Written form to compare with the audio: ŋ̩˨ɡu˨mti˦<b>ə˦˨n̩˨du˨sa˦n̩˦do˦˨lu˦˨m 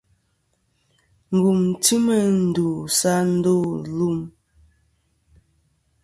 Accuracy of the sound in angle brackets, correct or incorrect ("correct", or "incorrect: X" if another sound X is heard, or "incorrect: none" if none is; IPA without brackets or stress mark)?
incorrect: m